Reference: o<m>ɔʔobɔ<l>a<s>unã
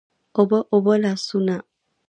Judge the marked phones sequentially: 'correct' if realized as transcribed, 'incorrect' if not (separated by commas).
incorrect, correct, correct